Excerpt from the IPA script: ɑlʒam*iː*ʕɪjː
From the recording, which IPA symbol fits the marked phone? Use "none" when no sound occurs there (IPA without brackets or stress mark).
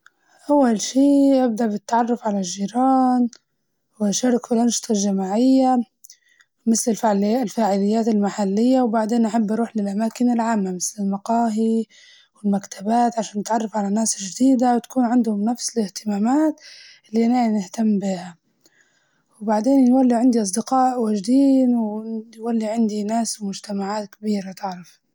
aː